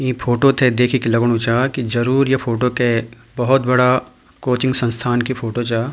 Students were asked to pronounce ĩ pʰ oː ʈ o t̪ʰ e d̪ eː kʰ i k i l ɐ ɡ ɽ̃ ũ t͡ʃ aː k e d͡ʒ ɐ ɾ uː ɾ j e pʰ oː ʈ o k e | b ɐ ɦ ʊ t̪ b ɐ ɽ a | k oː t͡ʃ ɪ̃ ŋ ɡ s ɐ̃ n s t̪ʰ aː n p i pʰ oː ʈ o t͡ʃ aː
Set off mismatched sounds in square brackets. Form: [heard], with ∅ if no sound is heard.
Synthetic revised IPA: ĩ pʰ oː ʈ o t̪ʰ e d̪ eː kʰ i k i l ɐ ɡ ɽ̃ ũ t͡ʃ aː k [i] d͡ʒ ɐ ɾ uː ɾ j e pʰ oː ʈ o k e | b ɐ ɦ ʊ t̪ b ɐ ɽ a | k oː t͡ʃ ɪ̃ ŋ ɡ s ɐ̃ n s t̪ʰ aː n [k] i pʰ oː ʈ o t͡ʃ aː